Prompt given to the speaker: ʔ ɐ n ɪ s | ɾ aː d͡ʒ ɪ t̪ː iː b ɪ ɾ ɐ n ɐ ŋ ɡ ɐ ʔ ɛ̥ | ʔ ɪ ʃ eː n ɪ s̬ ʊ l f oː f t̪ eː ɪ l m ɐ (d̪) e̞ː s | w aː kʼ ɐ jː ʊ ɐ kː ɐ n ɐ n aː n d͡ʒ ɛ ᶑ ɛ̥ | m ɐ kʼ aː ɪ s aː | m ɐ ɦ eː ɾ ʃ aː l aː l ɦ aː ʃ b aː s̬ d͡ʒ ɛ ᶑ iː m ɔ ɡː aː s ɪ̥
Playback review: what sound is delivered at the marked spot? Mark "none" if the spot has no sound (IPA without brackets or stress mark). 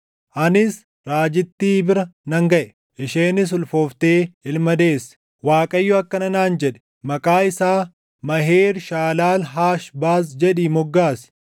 d̪